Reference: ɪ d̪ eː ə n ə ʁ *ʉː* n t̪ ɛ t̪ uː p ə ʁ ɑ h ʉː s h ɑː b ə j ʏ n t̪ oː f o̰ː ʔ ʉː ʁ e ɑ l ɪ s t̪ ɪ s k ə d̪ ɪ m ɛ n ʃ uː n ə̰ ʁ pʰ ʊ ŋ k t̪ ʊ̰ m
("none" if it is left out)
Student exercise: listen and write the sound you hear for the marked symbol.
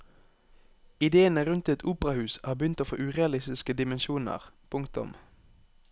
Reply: ʉ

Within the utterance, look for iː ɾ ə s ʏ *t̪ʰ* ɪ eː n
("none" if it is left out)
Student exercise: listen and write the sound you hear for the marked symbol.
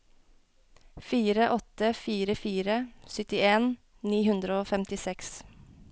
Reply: t̪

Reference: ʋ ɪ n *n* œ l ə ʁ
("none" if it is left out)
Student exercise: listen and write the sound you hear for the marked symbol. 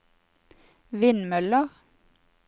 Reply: m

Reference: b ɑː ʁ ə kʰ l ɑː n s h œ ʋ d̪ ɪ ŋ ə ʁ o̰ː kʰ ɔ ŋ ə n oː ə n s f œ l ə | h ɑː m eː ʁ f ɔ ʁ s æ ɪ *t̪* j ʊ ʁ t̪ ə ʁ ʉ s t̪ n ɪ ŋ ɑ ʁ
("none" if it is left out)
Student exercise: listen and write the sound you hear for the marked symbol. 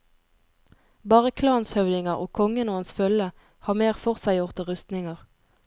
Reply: none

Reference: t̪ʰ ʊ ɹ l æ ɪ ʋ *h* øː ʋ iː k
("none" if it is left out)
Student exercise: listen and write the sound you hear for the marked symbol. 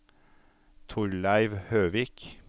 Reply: h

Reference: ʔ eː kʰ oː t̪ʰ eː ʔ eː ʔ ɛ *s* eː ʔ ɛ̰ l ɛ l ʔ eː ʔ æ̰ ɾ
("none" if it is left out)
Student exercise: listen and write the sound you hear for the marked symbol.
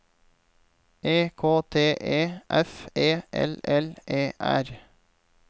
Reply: f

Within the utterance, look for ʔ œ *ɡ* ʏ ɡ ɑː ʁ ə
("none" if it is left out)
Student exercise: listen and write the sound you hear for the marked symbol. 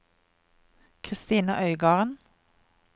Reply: none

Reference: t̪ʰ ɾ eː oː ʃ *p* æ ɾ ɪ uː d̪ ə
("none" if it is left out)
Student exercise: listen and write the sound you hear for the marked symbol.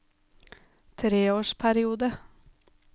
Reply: pʰ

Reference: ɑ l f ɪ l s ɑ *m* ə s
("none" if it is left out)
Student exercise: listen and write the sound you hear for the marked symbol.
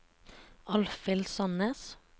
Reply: n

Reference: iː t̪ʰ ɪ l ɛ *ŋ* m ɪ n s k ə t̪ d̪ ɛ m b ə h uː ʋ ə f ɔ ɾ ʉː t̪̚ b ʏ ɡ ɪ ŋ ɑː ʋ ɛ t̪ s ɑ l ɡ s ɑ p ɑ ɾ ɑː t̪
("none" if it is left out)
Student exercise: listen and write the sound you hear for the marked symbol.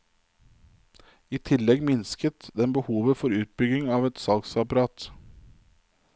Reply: ɡ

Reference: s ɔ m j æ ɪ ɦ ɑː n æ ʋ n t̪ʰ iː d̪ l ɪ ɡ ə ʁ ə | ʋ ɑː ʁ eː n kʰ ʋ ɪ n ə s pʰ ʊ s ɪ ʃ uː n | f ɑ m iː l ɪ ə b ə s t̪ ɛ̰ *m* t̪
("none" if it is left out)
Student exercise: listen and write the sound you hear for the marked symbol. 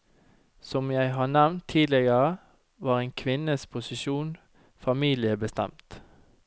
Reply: m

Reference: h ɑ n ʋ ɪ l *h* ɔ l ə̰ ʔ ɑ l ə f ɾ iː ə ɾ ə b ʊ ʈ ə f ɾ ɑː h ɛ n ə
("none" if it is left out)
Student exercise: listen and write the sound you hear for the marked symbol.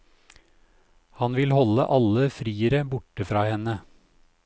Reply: h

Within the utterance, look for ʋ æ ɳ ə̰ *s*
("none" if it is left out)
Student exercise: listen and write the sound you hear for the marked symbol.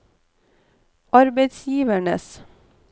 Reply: s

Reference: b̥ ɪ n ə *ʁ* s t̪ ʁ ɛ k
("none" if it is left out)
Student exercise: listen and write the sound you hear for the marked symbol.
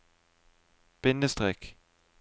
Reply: none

